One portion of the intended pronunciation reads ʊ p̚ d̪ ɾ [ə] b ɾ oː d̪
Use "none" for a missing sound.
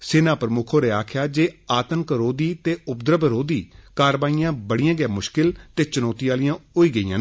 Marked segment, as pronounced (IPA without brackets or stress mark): ə